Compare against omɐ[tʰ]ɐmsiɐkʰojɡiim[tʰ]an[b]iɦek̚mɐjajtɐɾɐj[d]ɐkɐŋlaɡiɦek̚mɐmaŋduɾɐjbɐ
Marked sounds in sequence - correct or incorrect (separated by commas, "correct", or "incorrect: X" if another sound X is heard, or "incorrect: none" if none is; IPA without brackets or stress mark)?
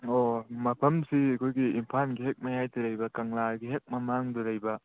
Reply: incorrect: pʰ, incorrect: pʰ, incorrect: ɡ, incorrect: b